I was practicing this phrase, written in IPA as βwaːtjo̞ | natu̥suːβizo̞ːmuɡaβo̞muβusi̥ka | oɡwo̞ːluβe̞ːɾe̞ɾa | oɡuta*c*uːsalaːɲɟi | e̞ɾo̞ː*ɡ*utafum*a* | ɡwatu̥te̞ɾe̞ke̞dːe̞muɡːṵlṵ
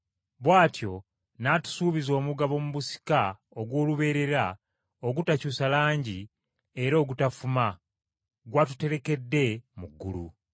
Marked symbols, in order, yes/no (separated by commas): yes, yes, yes